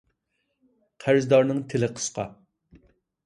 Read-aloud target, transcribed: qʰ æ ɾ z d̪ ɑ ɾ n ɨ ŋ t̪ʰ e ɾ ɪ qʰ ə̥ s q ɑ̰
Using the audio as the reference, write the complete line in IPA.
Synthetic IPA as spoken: qʰ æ ɾ z d̪ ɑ ɾ n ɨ ŋ t̪ʰ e l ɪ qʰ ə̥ s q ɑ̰